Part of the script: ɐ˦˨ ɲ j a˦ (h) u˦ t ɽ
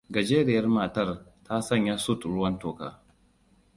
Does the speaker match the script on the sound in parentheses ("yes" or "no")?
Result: no